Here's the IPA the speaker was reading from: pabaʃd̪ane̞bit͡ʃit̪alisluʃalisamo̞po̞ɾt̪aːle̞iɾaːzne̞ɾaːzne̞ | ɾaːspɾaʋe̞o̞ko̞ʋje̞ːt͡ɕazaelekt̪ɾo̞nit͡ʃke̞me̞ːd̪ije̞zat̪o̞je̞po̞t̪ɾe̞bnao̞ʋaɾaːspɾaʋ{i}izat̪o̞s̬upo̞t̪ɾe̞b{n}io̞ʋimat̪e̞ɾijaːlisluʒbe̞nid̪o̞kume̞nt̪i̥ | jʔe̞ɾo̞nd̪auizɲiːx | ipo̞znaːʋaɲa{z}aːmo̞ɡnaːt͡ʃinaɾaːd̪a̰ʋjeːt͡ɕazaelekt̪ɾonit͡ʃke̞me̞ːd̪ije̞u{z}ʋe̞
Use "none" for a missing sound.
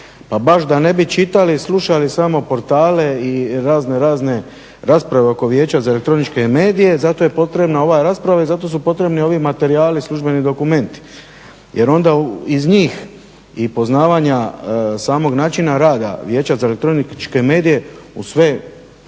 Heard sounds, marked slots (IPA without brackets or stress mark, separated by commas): a, n, s, s